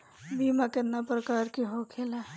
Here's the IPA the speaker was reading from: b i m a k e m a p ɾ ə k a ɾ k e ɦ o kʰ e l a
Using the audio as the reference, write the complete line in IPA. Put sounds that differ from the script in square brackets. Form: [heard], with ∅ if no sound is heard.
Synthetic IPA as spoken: b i m a k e [n] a p ɾ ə k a ɾ k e ɦ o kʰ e l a